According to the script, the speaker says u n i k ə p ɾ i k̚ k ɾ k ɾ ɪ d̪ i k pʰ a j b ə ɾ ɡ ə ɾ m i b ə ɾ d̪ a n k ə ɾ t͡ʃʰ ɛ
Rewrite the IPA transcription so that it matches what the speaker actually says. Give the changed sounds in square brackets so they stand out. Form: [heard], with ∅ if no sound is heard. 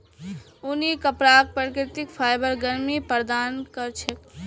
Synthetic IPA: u n i k ə p ɾ [a] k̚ [p] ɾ k ɾ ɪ [t̪] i k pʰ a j b ə ɾ ɡ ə ɾ m i [p] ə ɾ d̪ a n k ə ɾ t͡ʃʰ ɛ